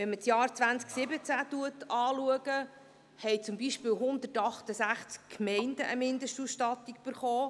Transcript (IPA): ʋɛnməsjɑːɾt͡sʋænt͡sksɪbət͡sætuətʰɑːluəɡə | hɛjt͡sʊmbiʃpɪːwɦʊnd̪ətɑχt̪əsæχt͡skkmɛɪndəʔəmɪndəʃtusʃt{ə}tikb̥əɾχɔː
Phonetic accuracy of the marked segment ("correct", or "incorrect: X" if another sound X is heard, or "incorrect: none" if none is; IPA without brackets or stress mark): incorrect: ɑ